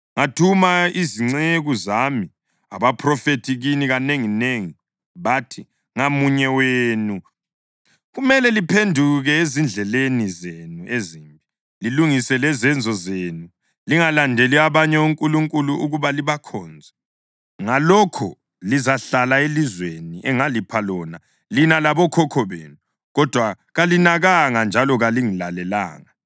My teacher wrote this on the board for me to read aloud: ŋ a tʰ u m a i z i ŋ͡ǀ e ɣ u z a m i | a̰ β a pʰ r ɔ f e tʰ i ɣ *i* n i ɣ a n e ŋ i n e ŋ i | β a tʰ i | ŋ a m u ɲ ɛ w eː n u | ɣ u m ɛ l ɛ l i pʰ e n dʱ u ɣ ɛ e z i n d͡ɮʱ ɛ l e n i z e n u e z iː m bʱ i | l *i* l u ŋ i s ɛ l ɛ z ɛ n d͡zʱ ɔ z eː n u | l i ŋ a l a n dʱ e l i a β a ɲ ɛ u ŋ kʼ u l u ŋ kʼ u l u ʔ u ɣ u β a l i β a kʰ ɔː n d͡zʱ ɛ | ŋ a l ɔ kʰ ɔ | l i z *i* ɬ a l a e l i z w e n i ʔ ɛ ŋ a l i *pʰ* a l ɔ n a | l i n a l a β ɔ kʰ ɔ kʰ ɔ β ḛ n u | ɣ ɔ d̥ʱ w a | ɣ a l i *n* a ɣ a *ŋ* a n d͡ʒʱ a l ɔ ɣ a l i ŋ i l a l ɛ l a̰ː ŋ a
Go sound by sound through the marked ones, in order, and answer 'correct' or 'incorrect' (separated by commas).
correct, correct, incorrect, correct, correct, correct